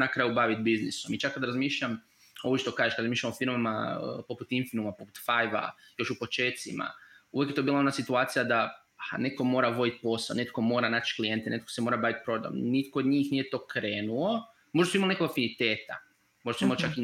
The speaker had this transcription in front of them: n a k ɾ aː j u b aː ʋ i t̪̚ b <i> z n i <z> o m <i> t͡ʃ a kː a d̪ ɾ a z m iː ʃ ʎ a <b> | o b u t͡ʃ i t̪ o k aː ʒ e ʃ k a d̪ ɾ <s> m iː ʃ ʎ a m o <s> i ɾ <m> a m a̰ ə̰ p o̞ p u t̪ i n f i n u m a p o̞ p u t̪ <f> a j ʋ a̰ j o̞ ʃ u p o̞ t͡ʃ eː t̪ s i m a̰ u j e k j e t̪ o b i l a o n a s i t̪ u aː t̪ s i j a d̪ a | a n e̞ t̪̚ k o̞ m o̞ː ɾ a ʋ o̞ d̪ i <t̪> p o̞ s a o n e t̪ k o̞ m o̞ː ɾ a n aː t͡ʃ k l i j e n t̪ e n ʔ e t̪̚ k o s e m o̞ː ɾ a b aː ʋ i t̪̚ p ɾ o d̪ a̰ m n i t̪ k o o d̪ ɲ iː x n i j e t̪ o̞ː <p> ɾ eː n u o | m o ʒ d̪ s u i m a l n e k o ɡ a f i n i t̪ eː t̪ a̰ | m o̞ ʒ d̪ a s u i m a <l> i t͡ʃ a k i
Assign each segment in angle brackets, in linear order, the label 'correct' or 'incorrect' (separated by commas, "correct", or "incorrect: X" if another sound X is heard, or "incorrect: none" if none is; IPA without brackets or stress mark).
correct, incorrect: s, correct, incorrect: m, incorrect: z, incorrect: f, correct, correct, correct, incorrect: k, correct